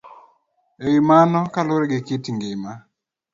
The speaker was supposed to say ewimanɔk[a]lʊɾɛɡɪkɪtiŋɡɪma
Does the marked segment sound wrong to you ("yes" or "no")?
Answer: no